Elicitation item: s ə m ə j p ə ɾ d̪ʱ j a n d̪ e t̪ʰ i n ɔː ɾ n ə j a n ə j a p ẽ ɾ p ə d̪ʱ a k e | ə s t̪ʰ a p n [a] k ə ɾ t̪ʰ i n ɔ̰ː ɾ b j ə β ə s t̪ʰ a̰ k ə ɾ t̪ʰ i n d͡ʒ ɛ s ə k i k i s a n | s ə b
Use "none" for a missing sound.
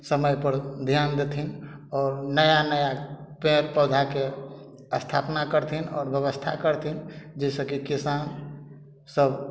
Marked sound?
a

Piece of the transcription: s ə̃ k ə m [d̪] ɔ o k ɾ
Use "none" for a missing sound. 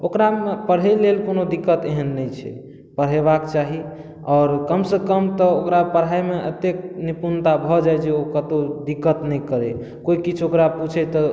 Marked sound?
t̪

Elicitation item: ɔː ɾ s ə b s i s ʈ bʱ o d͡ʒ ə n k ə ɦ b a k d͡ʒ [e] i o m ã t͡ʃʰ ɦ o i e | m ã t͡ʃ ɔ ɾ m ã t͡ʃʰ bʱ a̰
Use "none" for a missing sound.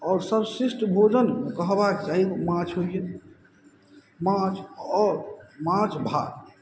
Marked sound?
a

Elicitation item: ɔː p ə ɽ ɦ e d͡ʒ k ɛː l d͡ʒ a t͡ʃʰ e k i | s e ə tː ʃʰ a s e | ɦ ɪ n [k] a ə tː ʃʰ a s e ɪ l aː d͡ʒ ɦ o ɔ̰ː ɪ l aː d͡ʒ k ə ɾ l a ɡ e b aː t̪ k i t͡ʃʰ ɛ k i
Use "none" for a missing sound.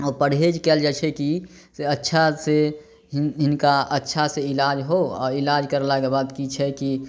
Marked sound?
k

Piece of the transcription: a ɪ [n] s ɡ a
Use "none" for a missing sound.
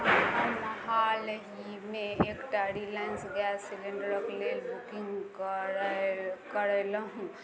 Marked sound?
n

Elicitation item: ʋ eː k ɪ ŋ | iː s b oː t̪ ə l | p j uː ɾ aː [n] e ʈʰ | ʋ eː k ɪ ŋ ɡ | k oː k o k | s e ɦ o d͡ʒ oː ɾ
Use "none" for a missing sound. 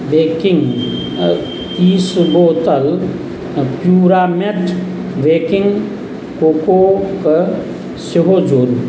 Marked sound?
m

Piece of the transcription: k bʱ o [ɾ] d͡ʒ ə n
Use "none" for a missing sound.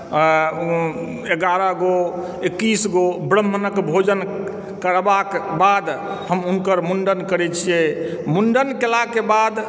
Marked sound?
none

